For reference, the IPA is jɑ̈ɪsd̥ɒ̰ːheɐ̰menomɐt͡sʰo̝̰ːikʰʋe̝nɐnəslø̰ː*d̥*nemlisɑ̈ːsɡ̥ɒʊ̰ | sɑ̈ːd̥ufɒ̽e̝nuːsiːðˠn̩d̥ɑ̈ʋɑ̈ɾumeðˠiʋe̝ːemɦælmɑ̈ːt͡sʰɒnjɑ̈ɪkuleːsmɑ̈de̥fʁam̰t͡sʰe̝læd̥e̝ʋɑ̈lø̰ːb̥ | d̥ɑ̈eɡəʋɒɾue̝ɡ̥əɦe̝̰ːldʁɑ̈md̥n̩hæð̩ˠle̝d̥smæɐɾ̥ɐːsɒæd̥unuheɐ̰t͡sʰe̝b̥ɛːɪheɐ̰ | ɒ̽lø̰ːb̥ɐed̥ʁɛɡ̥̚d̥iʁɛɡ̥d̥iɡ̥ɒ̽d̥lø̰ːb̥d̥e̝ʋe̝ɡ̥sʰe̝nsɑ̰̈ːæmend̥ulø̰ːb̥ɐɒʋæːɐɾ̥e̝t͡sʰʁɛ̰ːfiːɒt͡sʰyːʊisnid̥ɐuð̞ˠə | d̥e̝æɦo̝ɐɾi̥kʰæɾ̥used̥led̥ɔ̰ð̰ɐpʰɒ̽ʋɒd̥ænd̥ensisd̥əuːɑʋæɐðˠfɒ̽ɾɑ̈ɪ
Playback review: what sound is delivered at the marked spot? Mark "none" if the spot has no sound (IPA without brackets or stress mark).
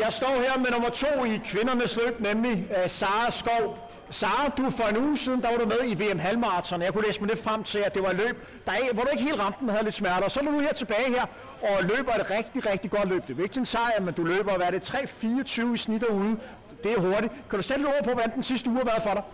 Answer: b̥